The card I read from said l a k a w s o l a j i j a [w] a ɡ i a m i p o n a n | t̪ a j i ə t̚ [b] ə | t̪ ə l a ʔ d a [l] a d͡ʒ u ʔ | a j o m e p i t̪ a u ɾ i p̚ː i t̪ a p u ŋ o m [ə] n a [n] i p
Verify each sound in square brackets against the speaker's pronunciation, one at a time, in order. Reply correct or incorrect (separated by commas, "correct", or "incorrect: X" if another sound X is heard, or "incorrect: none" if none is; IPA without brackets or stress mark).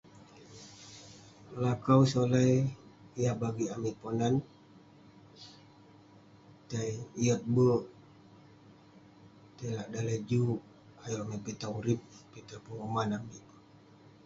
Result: incorrect: b, correct, correct, incorrect: a, incorrect: m